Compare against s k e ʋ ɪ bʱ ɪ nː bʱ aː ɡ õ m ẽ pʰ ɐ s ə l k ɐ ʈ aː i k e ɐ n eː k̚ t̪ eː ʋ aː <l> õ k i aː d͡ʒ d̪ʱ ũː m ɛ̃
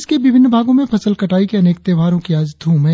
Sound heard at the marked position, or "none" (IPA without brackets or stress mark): ɾ